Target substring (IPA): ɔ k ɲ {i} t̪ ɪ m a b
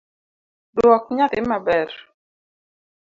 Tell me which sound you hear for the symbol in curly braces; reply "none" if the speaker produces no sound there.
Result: a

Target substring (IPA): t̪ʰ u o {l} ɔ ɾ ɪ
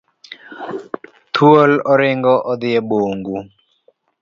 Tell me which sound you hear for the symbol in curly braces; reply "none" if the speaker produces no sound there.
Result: l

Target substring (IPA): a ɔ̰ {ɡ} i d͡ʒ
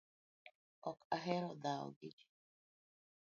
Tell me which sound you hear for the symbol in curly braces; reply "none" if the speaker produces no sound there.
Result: ɡ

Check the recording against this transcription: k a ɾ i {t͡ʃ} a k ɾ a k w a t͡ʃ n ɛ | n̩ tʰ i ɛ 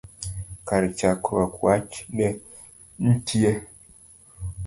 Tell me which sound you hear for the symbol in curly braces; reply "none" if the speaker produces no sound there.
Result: t͡ʃ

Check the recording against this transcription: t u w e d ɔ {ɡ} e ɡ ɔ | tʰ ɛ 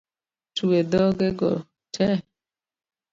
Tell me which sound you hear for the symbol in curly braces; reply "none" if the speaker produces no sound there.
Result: ɡ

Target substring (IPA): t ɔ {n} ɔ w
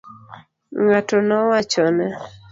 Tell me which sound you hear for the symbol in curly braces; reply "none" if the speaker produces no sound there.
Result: n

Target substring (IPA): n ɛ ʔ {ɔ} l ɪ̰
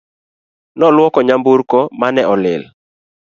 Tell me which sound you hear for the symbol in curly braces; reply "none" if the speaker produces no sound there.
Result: ɔ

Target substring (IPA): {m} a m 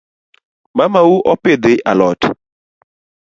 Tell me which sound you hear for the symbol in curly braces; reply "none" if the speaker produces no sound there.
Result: m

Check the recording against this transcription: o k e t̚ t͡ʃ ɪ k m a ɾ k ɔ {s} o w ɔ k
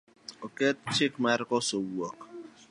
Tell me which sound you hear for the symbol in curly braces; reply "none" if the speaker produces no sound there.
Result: s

